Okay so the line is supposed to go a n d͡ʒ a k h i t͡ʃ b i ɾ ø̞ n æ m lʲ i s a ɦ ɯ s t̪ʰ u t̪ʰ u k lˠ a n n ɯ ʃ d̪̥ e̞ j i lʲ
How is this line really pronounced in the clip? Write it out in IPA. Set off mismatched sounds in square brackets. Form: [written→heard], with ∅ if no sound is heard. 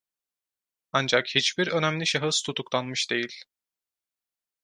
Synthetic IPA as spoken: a n d͡ʒ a k h i t͡ʃ b i ɾ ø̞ n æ m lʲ i [s→ʃ] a ɦ ɯ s t̪ʰ u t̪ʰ u k lˠ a n [n→m] ɯ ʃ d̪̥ e̞ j i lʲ